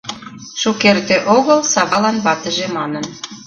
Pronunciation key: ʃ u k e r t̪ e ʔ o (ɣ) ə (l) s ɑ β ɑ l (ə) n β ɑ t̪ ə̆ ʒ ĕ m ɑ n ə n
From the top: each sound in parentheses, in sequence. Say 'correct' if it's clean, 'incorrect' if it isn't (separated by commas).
correct, correct, incorrect